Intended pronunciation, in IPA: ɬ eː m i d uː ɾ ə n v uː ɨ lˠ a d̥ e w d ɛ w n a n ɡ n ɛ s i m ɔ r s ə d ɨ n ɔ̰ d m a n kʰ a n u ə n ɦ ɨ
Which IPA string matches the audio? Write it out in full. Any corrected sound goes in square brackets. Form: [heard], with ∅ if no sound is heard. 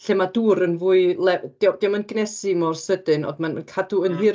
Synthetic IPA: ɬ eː m [a] d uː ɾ ə n v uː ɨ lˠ [ɛ] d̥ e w d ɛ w [m] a n ɡ n ɛ s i m ɔ r s ə d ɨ n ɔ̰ d m a n kʰ a [d] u ə n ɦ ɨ